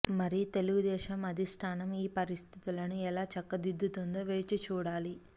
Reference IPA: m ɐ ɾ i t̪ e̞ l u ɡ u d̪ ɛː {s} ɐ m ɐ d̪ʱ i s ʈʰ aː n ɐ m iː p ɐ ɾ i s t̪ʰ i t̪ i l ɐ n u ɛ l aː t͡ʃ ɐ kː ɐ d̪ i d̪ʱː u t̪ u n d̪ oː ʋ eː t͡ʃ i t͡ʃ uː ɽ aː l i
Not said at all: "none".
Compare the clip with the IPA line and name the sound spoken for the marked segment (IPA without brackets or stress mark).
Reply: ʃ